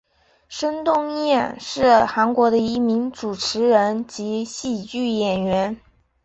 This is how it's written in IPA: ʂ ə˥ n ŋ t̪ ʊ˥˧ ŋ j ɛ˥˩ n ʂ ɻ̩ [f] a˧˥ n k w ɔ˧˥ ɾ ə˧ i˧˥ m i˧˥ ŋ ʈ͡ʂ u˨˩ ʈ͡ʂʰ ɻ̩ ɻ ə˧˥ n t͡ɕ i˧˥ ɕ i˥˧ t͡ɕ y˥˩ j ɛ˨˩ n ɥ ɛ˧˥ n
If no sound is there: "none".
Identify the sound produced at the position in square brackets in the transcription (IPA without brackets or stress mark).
x